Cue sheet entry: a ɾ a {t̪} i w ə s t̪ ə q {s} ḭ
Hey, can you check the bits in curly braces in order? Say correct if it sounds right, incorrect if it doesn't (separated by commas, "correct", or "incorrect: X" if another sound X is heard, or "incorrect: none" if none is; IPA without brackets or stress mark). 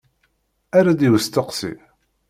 incorrect: d̪, correct